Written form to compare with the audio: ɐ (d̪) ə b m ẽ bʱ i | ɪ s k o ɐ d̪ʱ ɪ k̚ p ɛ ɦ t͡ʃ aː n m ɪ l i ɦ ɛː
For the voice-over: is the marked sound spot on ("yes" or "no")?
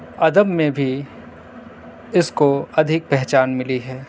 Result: yes